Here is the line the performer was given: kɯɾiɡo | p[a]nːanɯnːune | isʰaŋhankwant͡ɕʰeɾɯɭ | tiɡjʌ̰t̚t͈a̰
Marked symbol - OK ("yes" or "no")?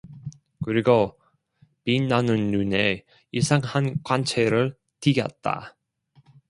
no